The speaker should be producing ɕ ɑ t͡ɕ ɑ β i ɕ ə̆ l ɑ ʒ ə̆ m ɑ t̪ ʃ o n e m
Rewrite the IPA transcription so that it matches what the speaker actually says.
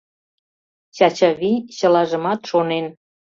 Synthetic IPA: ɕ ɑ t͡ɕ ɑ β i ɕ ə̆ l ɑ ʒ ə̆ m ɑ t̪ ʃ o n e n